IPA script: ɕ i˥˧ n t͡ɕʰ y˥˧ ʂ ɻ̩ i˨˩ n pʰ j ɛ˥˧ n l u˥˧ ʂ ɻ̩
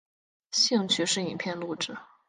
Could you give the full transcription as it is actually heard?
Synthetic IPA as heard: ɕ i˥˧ ŋ t͡ɕʰ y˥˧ ʂ ɻ̩ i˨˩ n pʰ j ɛ˥˧ n l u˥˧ ʈ͡ʂ ɻ̩